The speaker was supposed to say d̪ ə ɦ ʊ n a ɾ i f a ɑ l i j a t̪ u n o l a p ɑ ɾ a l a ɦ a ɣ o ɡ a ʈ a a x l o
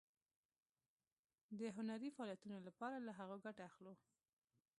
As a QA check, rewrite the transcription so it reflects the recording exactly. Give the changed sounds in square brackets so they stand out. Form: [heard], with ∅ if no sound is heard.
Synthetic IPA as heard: d̪ ə ɦ ʊ n a ɾ i f a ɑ l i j a t̪ u n o l a p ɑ ɾ a l a ɦ a ɣ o ɡ a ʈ a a x l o

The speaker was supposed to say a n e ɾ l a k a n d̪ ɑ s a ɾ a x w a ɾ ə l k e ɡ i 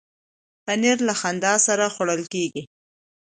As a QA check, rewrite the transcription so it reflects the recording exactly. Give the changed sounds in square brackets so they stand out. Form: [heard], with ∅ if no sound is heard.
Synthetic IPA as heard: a n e ɾ l a [x] a n d̪ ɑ s a ɾ a x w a [ɽ] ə l k e ɡ i

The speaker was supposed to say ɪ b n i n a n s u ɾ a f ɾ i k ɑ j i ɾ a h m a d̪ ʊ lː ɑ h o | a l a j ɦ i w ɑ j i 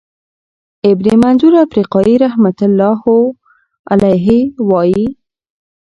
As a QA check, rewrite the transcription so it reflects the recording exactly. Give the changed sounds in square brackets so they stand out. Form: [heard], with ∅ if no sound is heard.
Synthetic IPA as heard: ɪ b n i [m] a n [z] u ɾ a f ɾ i [q] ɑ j i ɾ a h m a [t̪] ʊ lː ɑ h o | a l a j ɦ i w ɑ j i

